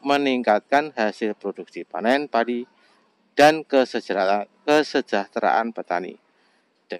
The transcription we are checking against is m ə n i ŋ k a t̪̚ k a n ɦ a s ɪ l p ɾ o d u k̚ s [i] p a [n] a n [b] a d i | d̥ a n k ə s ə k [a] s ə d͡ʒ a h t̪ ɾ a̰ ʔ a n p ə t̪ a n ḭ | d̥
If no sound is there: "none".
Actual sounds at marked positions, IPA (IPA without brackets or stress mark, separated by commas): i, n, p, ə